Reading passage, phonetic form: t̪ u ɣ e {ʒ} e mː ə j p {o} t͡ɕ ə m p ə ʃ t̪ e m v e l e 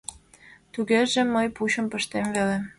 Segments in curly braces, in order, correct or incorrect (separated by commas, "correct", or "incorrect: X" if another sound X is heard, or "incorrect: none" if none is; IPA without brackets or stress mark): correct, incorrect: u